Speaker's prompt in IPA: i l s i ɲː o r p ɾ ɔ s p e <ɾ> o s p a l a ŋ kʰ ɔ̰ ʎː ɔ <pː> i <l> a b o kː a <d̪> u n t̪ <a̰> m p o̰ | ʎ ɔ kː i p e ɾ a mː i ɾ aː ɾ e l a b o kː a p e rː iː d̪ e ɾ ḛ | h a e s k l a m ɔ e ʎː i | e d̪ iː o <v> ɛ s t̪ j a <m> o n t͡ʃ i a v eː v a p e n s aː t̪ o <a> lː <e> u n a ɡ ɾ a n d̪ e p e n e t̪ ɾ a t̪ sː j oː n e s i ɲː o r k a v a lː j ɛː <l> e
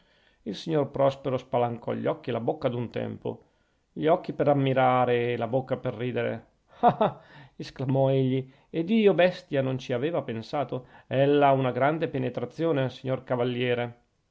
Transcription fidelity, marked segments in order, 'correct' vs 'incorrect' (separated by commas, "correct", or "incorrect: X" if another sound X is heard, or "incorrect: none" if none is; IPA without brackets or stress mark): correct, incorrect: kː, correct, correct, incorrect: ɛ̰, incorrect: b, incorrect: n, incorrect: ɛ, incorrect: a, incorrect: ɾ